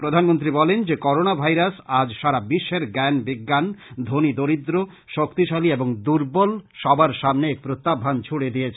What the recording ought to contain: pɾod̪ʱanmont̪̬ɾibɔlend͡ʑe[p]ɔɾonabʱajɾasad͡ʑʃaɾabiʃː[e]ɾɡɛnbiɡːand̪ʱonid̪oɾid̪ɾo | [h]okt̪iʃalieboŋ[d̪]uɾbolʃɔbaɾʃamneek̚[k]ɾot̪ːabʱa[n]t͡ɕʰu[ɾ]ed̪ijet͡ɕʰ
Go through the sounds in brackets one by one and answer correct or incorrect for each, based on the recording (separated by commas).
incorrect, correct, incorrect, correct, incorrect, correct, incorrect